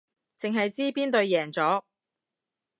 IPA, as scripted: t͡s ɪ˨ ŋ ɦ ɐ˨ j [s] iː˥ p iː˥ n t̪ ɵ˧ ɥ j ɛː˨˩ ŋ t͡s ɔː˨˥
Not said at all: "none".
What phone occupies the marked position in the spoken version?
t͡s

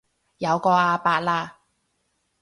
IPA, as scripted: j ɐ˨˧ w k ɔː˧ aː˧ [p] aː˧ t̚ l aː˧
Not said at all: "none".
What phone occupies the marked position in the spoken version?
p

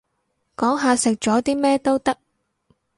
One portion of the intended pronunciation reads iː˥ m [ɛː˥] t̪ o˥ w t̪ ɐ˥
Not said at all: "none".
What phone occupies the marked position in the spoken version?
ɛː˥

